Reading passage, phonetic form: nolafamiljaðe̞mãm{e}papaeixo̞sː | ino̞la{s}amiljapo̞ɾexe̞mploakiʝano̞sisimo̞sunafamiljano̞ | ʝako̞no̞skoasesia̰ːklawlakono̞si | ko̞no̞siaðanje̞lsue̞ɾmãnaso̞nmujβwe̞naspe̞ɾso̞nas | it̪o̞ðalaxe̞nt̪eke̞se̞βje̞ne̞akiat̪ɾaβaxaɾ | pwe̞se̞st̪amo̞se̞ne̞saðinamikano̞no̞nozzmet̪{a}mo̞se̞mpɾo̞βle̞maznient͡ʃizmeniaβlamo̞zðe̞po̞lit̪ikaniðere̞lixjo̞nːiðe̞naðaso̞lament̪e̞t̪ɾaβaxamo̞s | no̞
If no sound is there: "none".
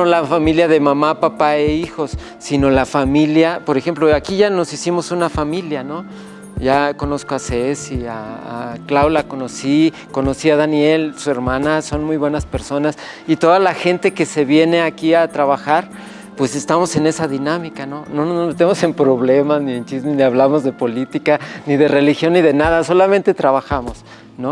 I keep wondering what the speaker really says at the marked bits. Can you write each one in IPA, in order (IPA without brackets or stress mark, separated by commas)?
a, f, e